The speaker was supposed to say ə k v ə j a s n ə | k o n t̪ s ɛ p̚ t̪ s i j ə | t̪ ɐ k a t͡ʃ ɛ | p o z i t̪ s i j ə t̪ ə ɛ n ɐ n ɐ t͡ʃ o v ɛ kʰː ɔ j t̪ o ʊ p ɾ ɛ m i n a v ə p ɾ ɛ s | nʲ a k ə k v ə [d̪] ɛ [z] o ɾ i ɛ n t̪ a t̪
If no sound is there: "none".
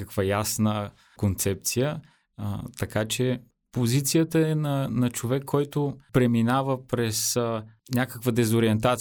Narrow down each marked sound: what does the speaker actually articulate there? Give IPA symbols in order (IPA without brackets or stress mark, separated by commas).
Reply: d̪, z